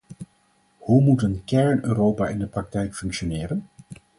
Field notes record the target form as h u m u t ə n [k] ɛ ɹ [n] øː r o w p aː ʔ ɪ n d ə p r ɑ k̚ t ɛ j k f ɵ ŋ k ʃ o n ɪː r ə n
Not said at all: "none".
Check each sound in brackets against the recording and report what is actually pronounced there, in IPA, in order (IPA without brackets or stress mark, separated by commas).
k, n